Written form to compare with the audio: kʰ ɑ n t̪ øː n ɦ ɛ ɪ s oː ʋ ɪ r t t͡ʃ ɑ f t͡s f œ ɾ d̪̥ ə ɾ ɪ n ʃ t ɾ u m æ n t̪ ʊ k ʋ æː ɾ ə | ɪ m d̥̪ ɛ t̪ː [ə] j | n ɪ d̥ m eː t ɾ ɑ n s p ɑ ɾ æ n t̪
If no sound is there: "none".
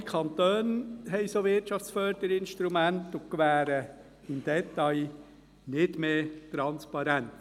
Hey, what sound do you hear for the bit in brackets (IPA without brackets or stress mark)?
ɑ